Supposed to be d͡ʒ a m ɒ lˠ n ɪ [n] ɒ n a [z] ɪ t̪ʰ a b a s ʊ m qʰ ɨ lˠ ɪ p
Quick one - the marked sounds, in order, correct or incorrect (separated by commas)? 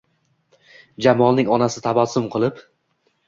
incorrect, incorrect